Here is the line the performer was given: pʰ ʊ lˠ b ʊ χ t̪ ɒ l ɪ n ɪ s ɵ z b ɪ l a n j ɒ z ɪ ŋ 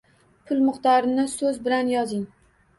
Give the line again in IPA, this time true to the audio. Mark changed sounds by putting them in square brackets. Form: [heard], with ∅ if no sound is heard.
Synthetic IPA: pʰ ʊ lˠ [m] ʊ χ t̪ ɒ [ɾ] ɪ n ɪ s ɵ z b ɪ l a n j ɒ z ɪ ŋ